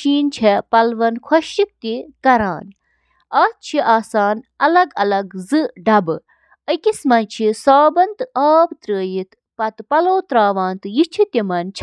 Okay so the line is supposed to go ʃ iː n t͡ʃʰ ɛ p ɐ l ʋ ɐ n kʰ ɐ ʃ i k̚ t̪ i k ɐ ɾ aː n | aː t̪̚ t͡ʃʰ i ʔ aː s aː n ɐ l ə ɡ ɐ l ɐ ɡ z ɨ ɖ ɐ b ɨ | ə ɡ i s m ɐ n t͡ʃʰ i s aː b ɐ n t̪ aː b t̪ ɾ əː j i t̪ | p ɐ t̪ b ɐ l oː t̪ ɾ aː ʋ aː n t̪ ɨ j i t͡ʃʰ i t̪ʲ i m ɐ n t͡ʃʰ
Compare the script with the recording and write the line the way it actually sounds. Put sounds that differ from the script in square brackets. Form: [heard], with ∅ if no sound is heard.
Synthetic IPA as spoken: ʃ iː n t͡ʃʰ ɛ p ɐ l ʋ ɐ n kʰ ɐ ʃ i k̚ t̪ i k ɐ ɾ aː n | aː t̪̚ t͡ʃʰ i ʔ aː s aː n ɐ l [ɐ] ɡ ɐ l ɐ ɡ z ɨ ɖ ɐ b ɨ | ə [k] i s m ɐ n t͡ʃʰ i s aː b ɐ n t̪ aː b t̪ ɾ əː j i t̪ | p ɐ t̪ [p] ɐ l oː t̪ ɾ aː ʋ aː n t̪ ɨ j i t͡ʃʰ i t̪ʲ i m ɐ n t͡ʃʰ